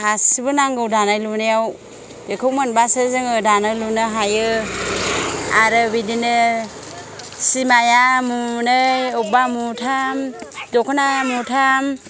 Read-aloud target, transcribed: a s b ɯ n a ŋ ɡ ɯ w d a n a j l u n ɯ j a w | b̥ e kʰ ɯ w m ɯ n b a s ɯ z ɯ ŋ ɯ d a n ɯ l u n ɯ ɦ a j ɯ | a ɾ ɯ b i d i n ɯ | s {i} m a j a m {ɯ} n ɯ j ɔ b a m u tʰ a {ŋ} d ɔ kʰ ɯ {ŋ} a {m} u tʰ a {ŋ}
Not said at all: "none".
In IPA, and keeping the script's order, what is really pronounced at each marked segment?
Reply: i, u, m, n, m, m

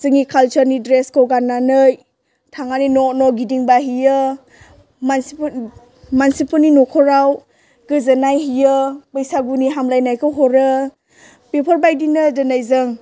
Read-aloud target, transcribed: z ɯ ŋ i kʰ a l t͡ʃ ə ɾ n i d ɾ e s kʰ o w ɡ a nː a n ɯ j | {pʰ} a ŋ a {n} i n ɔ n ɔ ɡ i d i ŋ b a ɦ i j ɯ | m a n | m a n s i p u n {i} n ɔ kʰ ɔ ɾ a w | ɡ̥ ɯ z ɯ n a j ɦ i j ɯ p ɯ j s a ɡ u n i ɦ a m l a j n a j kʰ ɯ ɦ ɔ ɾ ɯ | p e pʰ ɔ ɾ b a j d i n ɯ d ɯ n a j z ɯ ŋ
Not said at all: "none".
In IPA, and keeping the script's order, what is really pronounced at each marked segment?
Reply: tʰ, n, i

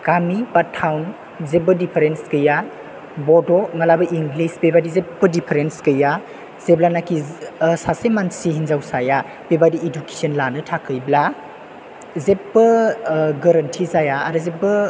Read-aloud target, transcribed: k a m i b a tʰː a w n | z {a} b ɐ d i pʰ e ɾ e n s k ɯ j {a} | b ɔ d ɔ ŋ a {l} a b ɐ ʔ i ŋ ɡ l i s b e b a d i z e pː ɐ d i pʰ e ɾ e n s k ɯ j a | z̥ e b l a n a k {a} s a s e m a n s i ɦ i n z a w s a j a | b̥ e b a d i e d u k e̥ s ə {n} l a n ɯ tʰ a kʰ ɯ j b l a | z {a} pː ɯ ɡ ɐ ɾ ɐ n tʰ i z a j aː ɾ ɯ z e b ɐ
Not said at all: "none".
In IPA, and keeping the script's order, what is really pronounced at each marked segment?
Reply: e, a, l, i, n, e

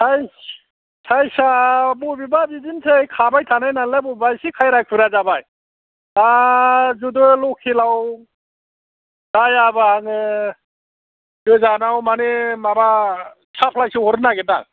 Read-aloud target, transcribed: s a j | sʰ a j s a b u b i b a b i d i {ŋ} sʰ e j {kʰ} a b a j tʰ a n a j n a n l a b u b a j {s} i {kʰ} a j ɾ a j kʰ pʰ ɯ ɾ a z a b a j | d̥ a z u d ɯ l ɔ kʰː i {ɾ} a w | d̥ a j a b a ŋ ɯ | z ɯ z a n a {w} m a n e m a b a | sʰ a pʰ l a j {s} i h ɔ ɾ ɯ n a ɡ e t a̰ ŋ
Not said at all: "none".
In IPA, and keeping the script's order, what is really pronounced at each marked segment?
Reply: n, kʰ, s, kʰ, l, w, s

